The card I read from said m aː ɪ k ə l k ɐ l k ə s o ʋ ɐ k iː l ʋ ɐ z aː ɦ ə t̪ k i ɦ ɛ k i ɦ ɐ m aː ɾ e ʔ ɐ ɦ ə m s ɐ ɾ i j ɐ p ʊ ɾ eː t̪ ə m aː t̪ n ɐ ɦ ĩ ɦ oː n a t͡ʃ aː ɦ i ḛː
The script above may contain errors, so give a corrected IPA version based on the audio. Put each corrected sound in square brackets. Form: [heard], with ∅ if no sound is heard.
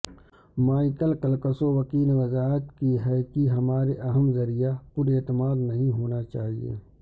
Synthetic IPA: m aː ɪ k ə l k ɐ l k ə s o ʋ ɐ k iː l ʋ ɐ z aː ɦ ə t̪ k i ɦ ɛ k i ɦ ɐ m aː ɾ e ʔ ɐ ɦ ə m [z] ɐ ɾ i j [a] p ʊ ɾ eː t̪ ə m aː [d̪] n ɐ ɦ ĩ ɦ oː n a t͡ʃ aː ɦ i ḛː